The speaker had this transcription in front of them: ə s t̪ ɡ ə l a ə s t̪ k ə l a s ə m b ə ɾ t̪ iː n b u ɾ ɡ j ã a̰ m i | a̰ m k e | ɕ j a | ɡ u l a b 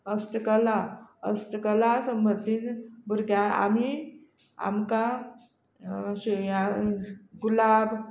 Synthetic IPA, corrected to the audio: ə s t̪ k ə l a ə s t̪ k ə l a s ə m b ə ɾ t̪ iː n b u ɾ ɡ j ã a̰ m i | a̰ m k a | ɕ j a | ɡ u l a b